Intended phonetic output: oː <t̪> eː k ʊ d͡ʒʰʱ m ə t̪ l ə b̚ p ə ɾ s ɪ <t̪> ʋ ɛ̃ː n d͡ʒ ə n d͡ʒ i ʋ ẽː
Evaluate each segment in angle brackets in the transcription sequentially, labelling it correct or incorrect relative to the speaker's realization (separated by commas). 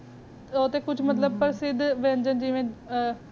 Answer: correct, incorrect